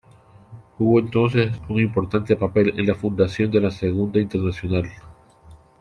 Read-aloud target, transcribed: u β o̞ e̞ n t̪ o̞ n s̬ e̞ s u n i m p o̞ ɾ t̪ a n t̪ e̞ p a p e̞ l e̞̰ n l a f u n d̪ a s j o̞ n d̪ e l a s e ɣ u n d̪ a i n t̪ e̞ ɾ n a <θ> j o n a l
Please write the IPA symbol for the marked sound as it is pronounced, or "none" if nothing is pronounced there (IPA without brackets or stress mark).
s